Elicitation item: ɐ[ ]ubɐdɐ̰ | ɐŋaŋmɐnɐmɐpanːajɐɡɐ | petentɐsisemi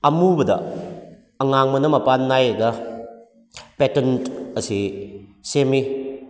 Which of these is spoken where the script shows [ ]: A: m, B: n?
A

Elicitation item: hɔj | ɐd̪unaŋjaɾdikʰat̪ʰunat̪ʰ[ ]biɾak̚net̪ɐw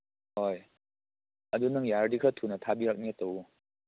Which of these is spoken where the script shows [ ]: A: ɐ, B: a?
B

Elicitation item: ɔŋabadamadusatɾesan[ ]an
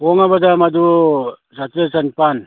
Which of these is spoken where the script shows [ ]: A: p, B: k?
A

